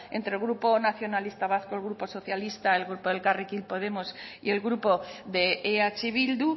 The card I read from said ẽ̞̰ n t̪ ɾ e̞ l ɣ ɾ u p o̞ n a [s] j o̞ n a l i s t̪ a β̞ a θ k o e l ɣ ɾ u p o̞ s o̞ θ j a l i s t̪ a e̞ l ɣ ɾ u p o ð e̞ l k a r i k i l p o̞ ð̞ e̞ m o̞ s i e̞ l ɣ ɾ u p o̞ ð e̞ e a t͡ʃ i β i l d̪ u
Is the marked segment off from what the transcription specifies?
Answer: yes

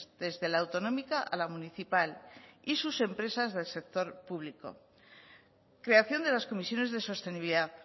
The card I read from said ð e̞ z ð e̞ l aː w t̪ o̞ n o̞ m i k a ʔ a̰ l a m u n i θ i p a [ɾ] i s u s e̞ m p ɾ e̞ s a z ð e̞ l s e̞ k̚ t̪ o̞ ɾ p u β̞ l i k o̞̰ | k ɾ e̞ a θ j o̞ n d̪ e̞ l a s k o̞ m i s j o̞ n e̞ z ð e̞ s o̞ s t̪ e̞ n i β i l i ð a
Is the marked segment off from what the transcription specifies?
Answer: yes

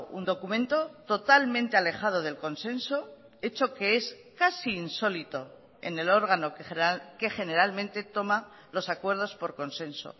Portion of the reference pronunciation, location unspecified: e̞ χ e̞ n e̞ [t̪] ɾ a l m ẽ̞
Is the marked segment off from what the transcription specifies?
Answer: yes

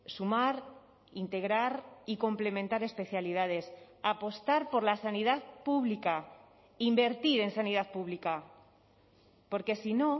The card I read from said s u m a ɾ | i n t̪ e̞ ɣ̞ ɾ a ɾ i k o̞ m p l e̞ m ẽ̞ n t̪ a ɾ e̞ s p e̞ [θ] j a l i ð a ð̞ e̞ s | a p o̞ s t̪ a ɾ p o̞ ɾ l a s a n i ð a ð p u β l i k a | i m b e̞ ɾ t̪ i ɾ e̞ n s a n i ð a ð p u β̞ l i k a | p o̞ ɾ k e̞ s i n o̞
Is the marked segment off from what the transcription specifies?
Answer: no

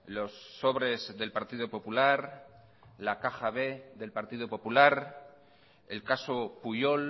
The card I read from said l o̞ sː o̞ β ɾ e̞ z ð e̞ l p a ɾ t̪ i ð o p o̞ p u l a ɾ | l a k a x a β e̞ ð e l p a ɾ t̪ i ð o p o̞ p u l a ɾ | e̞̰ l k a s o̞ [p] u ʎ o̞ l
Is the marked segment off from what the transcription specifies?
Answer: no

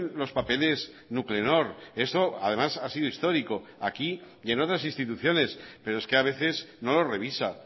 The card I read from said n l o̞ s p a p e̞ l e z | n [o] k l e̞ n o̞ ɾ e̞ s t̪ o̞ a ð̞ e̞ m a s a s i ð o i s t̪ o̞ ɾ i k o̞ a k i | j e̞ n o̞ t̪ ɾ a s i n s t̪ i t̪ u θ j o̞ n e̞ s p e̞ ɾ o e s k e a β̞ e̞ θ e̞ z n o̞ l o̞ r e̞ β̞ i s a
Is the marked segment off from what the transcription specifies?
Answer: yes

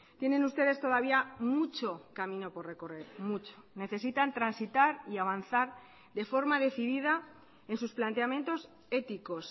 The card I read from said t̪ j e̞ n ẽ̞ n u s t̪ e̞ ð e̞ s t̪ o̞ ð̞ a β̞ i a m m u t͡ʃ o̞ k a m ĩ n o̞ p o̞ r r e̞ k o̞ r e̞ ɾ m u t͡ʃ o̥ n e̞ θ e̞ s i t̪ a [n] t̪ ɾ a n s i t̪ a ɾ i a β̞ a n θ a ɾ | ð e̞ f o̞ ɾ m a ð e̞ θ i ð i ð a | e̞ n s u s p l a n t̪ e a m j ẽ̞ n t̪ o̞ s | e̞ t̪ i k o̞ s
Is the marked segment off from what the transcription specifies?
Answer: no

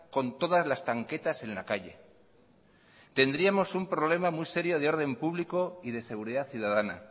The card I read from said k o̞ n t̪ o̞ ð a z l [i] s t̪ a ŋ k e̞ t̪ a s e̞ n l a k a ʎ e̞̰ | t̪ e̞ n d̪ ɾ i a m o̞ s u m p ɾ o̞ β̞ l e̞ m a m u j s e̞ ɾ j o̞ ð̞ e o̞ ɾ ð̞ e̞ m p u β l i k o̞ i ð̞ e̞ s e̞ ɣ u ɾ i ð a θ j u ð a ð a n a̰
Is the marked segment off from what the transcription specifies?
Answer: yes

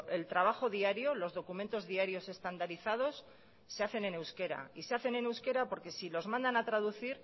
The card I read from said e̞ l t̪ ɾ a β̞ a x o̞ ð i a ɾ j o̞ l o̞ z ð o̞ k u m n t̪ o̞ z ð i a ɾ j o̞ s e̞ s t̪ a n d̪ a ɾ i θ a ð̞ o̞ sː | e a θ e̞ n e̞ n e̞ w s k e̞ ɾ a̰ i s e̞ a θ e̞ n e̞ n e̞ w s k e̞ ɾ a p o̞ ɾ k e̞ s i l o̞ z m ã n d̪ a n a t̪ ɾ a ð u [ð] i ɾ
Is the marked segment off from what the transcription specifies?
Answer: yes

